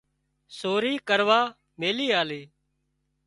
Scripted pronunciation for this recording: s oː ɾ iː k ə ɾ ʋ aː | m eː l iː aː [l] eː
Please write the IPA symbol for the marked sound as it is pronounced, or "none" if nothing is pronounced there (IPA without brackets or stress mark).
l